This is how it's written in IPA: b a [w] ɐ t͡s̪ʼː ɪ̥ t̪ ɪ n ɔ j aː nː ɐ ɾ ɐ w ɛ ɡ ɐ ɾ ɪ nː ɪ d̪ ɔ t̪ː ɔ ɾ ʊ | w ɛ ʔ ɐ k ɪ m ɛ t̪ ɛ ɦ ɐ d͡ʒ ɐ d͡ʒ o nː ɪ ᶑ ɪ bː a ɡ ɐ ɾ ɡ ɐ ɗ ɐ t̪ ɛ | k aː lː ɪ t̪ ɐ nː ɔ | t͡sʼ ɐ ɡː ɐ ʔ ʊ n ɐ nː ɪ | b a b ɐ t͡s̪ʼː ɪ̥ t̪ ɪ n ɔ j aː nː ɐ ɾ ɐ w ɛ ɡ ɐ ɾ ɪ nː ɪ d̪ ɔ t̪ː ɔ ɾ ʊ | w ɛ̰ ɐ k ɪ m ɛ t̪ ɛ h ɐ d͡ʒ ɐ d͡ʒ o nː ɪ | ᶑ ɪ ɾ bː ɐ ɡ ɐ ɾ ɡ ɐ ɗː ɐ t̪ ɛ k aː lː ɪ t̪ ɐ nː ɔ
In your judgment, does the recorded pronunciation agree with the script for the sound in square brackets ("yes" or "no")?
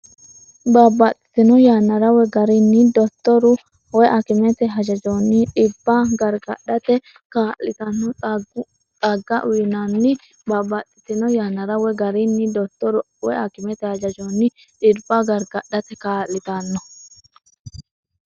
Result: no